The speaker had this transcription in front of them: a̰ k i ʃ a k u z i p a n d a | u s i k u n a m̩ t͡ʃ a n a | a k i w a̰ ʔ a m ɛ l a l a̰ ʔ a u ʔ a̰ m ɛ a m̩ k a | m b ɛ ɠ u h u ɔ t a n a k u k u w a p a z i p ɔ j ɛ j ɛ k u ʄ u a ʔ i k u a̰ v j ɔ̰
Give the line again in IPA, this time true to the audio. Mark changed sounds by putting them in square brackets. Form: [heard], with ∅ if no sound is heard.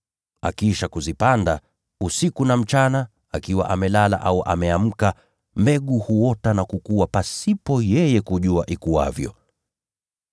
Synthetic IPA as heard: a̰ k i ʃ a k u z i p a n d a | u s i k u n a m̩ t͡ʃ a n a | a k i w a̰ ʔ a m ɛ l a l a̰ ʔ a u ʔ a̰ m ɛ a m̩ k a | m b ɛ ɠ u h u ɔ t a n a k u k u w a p a [s] i p ɔ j ɛ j ɛ k u ʄ u a ʔ i k u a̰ v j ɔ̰